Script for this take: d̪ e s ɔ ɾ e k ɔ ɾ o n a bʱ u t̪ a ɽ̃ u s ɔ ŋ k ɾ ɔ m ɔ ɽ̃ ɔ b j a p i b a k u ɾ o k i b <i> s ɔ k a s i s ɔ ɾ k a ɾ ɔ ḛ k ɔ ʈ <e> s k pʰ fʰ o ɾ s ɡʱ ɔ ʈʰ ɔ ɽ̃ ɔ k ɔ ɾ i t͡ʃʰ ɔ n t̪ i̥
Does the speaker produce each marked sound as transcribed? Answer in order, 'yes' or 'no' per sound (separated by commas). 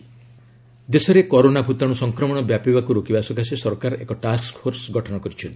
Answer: no, no